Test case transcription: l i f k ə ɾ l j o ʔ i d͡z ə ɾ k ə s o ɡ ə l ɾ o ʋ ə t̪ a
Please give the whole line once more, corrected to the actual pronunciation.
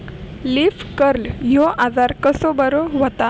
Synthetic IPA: l i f k ə ɾ l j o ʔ a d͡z a ɾ k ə s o b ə ɾ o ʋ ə t̪ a